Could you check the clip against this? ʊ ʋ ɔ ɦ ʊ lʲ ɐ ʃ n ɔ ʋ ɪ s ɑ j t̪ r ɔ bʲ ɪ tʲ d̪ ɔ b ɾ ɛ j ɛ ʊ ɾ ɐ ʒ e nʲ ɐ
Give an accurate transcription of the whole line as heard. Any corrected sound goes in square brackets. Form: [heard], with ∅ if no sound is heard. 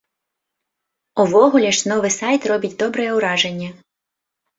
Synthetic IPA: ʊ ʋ ɔ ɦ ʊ lʲ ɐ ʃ n ɔ ʋ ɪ s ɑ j t̪ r ɔ bʲ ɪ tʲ d̪ ɔ b ɾ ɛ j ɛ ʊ ɾ [ɑ] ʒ e [nʲː] ɐ